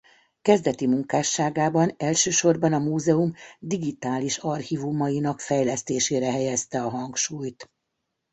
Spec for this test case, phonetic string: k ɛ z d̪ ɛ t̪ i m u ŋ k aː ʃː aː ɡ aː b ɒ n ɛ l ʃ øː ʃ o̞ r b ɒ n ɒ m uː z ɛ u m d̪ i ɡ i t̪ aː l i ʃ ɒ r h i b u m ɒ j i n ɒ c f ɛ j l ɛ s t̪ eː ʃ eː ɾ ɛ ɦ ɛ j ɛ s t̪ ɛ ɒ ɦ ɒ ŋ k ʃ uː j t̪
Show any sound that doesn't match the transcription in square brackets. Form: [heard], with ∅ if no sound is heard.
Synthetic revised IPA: k ɛ z d̪ ɛ t̪ i m u ŋ k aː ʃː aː ɡ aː b ɒ n ɛ l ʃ øː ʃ o̞ r b ɒ n ɒ m uː z ɛ u m d̪ i ɡ i t̪ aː l i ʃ ɒ r h i [v] u m ɒ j i n ɒ [k] f ɛ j l ɛ s t̪ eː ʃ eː ɾ ɛ ɦ ɛ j ɛ s t̪ ɛ ɒ ɦ ɒ ŋ k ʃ uː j t̪